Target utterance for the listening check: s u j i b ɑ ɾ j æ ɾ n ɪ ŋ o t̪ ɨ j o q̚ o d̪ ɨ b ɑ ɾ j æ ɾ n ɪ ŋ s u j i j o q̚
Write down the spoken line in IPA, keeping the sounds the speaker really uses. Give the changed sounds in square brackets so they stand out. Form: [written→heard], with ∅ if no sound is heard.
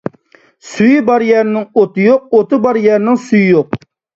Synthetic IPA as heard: s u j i b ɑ ɾ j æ ɾ n ɪ ŋ o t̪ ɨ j o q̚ o [d̪→t̪] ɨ b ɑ ɾ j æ ɾ n ɪ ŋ s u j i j o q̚